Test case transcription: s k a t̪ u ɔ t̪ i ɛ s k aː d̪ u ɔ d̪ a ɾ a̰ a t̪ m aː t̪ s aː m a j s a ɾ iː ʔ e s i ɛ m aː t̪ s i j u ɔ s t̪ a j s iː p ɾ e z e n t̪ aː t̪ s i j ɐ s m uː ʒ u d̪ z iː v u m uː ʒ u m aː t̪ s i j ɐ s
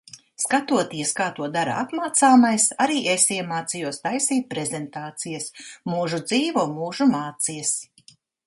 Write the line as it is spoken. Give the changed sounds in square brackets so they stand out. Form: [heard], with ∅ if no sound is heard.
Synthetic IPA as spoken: s k a t̪ u ɔ t̪ i ɛ s k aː [t̪] u ɔ d̪ a ɾ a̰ a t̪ m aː t̪ s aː m a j s a ɾ iː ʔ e s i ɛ m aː t̪ s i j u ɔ s t̪ a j s iː p ɾ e z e n t̪ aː t̪ s i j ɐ s m uː ʒ u d̪ z iː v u m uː ʒ u m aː t̪ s i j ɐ s